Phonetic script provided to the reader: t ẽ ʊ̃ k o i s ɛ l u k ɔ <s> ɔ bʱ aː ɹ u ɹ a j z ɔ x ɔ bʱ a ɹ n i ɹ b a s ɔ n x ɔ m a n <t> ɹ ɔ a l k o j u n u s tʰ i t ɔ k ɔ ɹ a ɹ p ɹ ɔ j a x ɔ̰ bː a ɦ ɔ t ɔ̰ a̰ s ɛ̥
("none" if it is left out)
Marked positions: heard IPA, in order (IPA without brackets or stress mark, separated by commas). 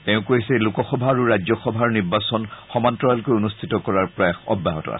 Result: x, t